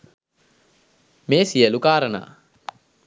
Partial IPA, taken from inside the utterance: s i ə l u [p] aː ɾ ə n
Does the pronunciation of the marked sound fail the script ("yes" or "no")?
yes